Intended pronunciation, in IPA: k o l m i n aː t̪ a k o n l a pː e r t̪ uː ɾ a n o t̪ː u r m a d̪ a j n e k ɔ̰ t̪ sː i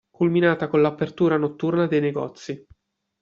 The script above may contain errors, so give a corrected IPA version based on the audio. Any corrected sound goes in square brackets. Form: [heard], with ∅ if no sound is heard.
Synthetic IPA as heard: k [u] l m i n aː t̪ a k o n l a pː e r t̪ uː ɾ a n o t̪ː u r [n] a d̪ [e] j n e [ɡ] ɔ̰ t̪ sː i